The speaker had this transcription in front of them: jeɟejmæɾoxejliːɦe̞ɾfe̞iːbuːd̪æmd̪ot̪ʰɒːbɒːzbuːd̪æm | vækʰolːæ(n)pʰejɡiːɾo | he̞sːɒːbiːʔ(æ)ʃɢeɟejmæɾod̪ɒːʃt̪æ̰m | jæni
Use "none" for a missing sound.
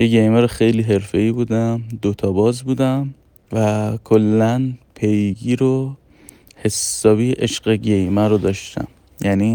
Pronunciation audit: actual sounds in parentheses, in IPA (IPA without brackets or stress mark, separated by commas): n, e